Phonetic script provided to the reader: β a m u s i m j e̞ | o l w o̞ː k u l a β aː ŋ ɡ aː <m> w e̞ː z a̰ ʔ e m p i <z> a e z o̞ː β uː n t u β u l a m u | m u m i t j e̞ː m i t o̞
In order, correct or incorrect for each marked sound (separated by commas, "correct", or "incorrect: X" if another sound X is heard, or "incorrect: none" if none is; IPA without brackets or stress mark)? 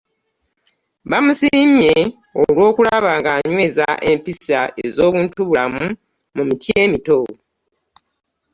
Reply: incorrect: ɲ, incorrect: s